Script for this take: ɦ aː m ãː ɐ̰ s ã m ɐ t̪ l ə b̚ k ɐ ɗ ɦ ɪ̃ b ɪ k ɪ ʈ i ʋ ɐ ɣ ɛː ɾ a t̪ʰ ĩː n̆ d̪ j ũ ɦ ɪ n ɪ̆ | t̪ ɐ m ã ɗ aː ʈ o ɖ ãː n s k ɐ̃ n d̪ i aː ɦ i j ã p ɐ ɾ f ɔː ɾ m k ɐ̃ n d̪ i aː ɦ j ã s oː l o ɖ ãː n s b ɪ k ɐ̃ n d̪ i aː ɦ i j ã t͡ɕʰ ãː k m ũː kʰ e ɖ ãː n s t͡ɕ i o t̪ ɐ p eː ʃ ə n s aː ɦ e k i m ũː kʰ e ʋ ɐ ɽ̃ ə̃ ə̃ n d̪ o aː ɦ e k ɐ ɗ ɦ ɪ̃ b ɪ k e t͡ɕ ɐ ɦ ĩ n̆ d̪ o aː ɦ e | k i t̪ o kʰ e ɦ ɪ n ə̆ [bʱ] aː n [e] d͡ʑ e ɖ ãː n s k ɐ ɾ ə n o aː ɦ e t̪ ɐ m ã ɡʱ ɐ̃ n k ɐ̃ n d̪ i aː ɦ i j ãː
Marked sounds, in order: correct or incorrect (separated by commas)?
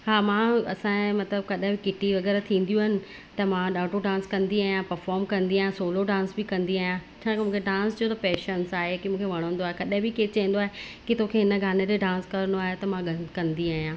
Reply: incorrect, correct